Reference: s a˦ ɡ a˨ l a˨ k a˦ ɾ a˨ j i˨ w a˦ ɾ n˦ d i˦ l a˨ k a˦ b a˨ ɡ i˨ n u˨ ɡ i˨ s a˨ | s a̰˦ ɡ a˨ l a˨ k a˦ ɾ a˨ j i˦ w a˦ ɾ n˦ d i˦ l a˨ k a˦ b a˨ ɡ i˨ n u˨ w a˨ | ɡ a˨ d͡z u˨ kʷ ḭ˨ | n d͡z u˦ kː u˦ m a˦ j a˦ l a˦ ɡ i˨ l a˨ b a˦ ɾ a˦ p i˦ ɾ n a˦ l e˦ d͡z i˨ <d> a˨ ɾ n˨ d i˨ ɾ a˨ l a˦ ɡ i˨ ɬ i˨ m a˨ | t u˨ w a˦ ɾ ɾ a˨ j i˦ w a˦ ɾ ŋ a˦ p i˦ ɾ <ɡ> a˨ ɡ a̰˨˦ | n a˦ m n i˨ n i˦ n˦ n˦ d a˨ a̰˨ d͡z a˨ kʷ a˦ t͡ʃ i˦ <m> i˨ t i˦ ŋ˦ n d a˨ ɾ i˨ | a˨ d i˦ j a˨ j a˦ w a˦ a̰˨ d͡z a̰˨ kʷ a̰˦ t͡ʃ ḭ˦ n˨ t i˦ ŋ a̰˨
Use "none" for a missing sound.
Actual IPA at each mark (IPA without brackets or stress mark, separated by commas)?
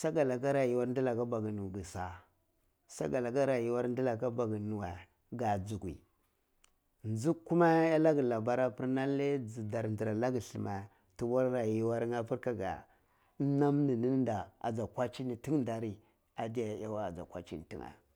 d, k, n